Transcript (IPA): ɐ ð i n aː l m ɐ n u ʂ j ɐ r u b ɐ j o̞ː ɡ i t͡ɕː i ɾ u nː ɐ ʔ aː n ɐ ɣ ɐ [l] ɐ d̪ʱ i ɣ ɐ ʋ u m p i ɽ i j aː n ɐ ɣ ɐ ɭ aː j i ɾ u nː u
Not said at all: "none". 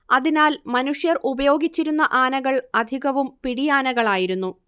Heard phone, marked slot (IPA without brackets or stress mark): ɭ